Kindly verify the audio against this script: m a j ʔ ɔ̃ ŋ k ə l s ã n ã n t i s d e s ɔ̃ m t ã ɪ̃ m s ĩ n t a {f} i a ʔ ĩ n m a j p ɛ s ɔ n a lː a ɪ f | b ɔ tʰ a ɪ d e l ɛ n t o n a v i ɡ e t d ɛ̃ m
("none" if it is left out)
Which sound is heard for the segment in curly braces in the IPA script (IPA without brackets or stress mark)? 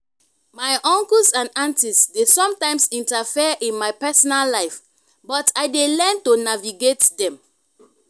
f